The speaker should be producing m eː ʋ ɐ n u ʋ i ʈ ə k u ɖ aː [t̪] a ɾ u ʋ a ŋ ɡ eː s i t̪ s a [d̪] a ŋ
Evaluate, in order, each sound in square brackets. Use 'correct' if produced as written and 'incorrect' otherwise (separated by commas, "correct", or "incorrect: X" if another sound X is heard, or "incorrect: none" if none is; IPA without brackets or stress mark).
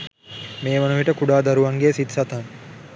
incorrect: d̪, incorrect: t̪